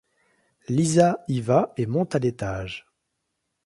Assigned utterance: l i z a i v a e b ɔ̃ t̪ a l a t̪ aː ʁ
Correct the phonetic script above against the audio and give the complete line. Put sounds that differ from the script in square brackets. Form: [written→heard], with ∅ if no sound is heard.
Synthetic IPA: l i z a i v a e [b→m] ɔ̃ t̪ a l [a→e] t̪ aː [ʁ→ʒ]